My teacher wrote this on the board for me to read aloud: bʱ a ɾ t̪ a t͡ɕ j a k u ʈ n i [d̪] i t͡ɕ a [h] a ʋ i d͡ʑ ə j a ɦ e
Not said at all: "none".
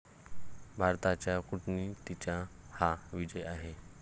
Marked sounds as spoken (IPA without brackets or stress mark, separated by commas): t̪, h